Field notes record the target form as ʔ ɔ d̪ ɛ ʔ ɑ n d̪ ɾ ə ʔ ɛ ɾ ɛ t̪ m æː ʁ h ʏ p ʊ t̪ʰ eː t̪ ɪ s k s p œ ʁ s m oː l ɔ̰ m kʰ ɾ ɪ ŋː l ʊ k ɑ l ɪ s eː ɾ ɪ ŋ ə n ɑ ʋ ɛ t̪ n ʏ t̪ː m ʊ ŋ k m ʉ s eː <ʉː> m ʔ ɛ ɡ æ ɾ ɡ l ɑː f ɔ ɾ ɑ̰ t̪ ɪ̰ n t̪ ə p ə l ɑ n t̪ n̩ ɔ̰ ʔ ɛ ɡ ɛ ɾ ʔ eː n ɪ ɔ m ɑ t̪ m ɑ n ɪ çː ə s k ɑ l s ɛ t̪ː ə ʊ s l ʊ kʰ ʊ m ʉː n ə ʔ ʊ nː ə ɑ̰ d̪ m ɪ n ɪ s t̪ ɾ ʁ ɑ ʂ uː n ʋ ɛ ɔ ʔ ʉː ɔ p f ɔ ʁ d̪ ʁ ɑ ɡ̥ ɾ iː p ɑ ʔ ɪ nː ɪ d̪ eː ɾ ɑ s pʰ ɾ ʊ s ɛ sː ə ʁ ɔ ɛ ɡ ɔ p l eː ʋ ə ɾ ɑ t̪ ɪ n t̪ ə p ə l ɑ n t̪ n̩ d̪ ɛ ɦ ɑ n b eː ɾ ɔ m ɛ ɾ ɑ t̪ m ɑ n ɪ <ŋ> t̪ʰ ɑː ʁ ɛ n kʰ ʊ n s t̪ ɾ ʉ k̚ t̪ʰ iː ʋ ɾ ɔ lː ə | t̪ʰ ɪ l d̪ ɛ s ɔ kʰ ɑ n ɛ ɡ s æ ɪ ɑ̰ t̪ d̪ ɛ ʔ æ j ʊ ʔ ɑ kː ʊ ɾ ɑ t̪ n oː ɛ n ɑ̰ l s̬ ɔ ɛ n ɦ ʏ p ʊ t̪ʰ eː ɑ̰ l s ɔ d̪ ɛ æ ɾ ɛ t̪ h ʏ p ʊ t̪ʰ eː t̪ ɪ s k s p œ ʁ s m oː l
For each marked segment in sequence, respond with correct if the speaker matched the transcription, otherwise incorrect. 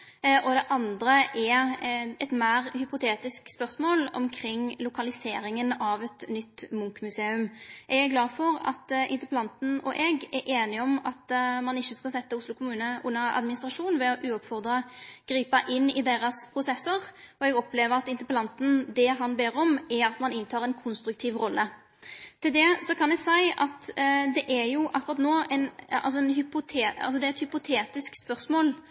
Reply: incorrect, incorrect

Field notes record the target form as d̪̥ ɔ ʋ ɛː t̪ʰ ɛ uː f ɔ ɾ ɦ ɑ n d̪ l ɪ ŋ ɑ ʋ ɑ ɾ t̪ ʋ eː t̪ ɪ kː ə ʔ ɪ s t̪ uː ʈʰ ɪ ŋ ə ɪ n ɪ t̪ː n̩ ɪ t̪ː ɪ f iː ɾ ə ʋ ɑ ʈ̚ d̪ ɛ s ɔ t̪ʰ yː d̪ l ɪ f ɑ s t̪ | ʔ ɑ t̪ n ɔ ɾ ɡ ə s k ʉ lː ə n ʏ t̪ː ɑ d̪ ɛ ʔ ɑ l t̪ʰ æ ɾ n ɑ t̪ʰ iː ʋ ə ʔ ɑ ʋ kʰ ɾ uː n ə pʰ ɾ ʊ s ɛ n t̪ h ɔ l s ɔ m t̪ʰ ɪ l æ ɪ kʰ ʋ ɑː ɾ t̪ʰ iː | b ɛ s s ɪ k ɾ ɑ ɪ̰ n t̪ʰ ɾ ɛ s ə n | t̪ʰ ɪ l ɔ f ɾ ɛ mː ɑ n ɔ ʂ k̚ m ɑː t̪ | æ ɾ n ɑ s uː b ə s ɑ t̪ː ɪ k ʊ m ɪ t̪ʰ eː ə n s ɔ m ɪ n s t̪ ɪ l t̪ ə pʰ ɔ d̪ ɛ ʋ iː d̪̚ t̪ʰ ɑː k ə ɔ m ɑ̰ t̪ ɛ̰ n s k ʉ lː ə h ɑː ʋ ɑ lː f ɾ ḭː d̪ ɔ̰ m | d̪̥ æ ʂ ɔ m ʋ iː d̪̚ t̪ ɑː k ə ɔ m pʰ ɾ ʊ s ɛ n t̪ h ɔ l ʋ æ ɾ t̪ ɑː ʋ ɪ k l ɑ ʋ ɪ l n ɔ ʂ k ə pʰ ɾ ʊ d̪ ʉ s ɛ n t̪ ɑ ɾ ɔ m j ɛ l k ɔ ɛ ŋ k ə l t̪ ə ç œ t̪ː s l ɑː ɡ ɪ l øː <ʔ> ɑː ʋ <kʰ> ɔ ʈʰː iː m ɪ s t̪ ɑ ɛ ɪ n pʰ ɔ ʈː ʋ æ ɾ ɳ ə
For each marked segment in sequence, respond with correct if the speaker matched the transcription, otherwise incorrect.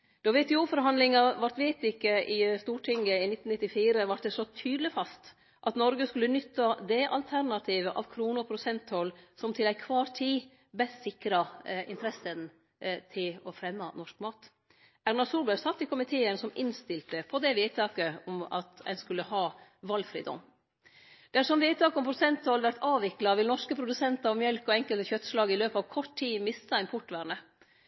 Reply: incorrect, correct

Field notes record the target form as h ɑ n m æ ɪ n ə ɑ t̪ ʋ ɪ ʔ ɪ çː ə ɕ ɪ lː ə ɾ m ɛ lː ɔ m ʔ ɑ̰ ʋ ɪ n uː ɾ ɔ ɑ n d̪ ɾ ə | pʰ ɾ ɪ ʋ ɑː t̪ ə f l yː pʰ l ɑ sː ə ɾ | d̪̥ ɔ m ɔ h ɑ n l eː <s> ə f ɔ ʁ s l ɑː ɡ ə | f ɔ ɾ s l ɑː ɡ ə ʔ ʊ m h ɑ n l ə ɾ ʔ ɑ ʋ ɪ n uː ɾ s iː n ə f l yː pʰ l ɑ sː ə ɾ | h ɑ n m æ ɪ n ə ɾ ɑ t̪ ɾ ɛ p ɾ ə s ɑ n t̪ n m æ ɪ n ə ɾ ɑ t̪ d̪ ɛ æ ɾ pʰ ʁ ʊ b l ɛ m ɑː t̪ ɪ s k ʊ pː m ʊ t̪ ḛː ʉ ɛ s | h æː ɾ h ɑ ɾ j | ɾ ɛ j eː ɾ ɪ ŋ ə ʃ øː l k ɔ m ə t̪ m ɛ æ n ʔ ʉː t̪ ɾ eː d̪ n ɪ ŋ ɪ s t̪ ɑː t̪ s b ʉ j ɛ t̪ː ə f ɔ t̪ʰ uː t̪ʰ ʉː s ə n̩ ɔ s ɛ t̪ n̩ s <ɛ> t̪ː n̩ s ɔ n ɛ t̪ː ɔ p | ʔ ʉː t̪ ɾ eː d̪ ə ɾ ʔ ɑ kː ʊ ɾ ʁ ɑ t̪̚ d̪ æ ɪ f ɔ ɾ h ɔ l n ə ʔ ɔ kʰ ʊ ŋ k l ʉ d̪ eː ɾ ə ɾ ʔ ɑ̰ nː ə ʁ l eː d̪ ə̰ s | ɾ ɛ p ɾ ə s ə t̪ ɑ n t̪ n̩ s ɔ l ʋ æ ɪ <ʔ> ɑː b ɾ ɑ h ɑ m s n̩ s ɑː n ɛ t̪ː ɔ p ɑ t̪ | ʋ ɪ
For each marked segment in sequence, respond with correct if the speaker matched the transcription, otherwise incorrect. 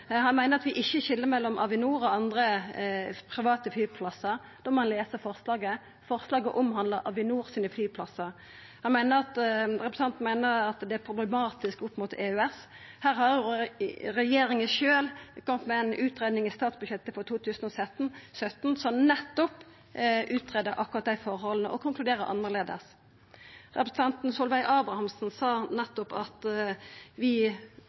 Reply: correct, incorrect, correct

